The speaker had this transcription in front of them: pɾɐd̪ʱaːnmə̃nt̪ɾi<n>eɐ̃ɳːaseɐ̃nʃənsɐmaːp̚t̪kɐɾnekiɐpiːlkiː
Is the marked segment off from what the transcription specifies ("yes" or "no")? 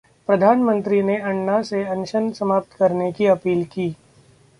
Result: no